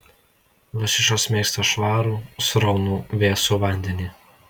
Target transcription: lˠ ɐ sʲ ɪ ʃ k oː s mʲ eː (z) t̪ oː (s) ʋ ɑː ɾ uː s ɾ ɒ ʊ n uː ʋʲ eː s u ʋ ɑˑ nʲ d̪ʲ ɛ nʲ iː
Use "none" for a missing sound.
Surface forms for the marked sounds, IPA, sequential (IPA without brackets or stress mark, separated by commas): s, ʃ